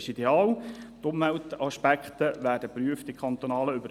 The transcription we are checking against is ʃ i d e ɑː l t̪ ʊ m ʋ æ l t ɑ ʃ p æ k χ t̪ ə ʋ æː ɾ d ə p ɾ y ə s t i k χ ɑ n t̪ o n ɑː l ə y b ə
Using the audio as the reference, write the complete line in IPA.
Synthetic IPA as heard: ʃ i d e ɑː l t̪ ʊ m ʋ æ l t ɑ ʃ p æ k χ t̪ ə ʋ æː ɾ d ə p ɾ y ə f t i k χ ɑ n t̪ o n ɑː l ə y b ə